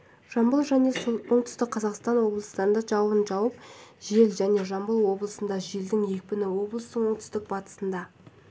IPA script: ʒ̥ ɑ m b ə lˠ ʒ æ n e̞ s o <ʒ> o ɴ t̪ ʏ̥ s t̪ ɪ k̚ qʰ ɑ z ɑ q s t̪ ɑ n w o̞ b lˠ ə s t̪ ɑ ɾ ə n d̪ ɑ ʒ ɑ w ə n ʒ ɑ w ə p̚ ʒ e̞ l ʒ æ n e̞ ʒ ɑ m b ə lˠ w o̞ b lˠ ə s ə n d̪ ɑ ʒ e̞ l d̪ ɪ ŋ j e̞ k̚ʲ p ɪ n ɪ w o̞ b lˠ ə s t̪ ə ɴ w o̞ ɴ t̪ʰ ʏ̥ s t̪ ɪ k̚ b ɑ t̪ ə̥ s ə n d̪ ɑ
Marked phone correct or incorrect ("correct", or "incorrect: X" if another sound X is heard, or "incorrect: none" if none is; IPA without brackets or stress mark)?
incorrect: none